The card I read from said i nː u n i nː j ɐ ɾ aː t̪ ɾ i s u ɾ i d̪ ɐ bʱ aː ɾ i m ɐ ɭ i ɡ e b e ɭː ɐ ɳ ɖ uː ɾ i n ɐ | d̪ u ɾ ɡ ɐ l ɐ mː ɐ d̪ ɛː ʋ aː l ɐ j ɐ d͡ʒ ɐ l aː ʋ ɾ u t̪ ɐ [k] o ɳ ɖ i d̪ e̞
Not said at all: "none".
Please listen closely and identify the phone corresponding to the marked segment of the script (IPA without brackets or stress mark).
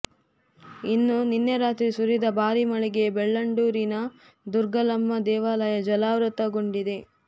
ɡ